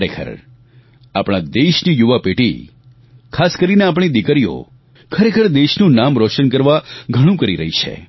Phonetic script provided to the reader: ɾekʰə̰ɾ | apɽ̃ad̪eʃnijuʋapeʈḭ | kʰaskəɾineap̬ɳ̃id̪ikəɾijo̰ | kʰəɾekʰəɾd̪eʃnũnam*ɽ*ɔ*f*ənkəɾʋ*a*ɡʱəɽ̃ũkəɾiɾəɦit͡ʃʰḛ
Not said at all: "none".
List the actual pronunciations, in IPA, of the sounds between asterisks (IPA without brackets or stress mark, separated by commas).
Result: ɾ, ʃ, a